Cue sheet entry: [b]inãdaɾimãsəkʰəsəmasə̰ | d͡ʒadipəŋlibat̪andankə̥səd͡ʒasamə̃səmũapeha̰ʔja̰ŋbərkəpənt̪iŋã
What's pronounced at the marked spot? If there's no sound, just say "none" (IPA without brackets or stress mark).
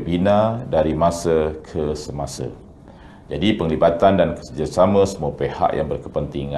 b